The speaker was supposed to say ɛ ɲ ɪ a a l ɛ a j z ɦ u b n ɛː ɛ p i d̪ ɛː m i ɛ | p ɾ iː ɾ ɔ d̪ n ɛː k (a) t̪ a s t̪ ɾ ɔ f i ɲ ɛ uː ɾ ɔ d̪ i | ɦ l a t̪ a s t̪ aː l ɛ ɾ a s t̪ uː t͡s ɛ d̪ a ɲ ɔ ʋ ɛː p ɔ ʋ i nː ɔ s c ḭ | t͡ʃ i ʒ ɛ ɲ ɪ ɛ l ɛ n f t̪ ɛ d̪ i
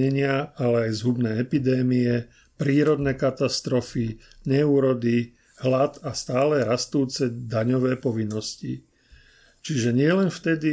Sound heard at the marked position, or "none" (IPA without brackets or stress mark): a